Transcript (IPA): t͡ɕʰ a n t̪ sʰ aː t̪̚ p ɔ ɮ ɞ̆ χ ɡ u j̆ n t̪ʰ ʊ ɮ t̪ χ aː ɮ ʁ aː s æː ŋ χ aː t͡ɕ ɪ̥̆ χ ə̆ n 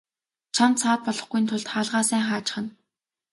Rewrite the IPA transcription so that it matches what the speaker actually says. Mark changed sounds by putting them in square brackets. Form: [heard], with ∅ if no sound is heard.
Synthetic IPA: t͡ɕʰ a n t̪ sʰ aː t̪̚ p ɔ ɮ ɞ̆ χ ɡ u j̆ n t̪ʰ ʊ ɮ t̪ χ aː ɮ ʁ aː s æː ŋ χ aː t͡ɕ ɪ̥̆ χ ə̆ n